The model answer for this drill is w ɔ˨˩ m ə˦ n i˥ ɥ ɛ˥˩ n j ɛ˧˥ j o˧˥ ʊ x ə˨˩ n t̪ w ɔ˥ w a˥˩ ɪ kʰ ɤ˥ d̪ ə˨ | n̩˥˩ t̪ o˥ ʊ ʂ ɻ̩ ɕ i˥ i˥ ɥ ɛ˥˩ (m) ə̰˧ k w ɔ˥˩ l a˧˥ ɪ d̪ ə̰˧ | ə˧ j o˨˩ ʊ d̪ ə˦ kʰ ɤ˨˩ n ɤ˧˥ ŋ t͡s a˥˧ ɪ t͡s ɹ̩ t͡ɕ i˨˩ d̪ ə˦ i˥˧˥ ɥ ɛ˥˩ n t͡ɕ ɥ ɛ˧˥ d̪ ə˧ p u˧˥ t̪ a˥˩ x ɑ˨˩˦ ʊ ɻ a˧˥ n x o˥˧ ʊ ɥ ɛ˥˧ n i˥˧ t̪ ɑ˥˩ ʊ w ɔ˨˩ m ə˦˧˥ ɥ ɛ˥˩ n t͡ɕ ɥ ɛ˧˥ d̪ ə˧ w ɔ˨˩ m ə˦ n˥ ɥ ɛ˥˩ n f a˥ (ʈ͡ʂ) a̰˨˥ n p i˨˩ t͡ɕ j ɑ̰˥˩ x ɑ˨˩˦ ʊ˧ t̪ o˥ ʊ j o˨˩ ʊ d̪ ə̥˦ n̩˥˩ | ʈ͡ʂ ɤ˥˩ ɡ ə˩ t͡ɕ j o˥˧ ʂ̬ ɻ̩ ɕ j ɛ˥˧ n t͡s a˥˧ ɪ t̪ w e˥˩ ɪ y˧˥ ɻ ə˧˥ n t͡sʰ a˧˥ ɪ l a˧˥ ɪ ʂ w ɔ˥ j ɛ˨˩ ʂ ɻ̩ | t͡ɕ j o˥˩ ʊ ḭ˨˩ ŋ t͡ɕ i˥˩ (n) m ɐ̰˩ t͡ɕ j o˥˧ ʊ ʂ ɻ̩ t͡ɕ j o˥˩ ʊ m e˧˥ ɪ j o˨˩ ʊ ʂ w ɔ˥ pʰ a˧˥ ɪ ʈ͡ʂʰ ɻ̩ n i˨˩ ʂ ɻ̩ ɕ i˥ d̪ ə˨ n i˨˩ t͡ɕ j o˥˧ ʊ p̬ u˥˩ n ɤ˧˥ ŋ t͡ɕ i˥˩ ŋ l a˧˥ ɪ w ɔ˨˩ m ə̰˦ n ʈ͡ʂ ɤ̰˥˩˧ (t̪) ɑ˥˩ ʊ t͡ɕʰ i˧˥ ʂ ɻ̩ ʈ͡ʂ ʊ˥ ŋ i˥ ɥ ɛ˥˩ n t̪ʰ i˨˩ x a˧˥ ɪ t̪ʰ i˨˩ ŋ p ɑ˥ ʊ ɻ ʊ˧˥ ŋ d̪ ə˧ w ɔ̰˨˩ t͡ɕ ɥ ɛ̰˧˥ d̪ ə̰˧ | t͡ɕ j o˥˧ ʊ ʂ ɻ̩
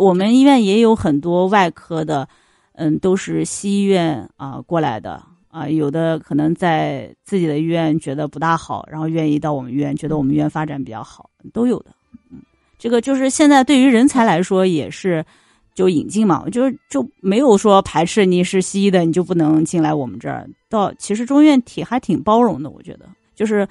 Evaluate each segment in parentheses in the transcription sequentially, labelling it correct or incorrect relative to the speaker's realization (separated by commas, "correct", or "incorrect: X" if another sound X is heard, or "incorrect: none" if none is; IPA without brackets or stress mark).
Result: incorrect: n, correct, incorrect: ŋ, correct